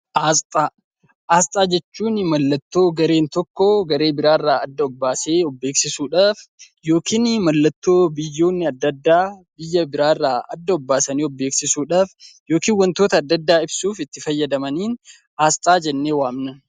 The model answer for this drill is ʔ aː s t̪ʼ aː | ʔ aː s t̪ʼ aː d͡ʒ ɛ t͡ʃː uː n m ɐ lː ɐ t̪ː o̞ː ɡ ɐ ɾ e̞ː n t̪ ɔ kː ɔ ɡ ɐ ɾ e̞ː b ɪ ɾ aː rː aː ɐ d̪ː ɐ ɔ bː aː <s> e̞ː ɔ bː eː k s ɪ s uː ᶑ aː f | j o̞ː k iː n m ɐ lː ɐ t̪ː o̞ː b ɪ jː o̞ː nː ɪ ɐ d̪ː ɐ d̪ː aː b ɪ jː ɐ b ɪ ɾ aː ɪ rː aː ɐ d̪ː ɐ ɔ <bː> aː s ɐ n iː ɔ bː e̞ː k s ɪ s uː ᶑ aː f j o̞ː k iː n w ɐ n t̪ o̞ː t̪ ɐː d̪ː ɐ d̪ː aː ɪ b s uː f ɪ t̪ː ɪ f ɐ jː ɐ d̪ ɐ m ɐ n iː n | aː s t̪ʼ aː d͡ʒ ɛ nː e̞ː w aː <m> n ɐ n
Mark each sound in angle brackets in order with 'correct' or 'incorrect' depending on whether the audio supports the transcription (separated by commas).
correct, correct, correct